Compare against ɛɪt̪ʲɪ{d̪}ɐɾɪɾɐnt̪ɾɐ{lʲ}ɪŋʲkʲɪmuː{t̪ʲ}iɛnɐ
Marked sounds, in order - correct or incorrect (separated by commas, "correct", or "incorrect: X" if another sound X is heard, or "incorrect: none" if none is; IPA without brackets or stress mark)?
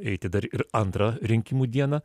correct, incorrect: ɾʲ, incorrect: d̪ʲ